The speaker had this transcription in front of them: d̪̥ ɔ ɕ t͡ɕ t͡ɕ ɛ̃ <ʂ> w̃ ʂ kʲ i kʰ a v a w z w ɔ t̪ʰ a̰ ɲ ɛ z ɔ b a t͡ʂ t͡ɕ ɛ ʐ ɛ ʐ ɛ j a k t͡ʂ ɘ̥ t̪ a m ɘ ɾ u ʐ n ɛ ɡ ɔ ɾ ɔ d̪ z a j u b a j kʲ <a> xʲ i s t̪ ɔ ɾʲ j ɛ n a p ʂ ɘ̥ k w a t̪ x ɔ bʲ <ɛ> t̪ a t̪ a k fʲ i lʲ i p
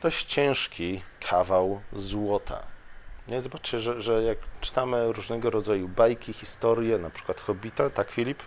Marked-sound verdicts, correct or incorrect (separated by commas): incorrect, incorrect, incorrect